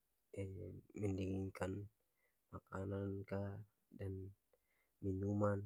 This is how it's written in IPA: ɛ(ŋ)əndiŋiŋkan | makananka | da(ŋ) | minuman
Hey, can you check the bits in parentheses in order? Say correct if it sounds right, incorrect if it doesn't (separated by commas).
incorrect, incorrect